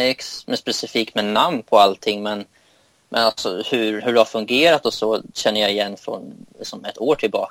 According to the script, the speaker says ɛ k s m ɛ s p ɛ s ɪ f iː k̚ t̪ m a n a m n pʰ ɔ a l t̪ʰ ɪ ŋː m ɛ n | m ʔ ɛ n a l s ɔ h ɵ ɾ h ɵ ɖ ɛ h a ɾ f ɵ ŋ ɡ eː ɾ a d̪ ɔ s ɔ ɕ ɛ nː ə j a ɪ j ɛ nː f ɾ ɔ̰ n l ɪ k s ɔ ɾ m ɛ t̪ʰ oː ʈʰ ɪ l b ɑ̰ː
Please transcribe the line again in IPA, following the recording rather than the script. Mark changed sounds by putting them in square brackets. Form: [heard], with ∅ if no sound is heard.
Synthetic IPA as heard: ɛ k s m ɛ s p ɛ s ɪ f iː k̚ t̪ m [ɛ] n a m n pʰ ɔ a l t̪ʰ ɪ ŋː m ɛ n | m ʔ ɛ n a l s ɔ h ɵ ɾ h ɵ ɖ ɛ h a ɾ f ɵ ŋ ɡ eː ɾ a [t̪] ɔ s ɔ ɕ ɛ nː ə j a ɪ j ɛ nː f ɾ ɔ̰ n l ɪ k s ɔ [∅] m ɛ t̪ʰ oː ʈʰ ɪ l b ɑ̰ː